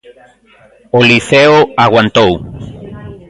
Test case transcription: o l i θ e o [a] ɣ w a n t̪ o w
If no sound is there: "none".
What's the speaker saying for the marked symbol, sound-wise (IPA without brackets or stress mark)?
a